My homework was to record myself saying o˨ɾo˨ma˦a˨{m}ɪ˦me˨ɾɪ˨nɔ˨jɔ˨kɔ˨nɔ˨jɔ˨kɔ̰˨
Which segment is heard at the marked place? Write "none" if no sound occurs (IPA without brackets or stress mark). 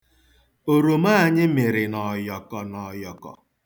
ɲ